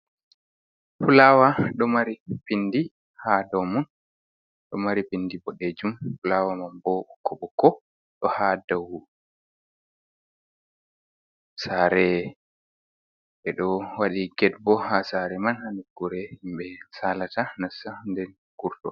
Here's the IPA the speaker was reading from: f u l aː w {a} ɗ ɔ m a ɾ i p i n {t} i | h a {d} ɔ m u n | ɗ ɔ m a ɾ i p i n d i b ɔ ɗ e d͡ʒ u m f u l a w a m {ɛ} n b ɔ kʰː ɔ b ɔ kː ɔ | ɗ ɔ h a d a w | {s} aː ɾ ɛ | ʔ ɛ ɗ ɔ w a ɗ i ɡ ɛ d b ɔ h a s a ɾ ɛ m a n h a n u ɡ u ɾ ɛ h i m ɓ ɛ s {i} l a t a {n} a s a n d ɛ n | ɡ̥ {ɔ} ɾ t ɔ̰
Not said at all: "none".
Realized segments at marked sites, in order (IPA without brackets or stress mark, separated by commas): a, d, d, a, s, a, n, u